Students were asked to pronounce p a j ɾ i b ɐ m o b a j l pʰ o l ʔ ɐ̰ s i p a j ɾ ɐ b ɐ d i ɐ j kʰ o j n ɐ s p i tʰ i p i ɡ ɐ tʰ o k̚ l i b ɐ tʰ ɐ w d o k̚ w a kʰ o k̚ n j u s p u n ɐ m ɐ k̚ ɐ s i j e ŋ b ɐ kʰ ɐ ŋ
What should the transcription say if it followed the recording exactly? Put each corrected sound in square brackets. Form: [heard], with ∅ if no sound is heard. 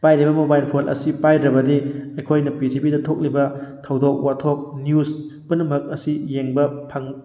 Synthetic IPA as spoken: p a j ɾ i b ɐ m o b a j l pʰ o l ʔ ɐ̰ s i p a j ɾ ɐ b ɐ d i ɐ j kʰ o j n ɐ [∅] p i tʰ i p i [d] ɐ tʰ o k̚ l i b ɐ tʰ ɐ w d o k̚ w a [tʰ] o k̚ n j u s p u n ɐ m ɐ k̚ ɐ s i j e ŋ b ɐ [pʰ] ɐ ŋ